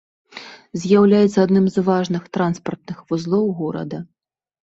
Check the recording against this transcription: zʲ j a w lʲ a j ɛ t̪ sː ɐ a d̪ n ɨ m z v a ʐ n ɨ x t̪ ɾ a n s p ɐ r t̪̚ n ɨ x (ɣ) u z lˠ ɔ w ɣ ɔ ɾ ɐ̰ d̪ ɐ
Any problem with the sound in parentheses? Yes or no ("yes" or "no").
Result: yes